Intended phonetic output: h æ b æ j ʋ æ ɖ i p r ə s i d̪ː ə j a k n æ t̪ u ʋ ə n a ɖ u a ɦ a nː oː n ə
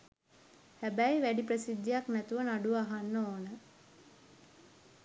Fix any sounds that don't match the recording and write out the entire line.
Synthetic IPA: h æ b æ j ʋ æ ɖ i p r ə s i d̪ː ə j a k n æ t̪ u ʋ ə n a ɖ u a ɦ a nː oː n ə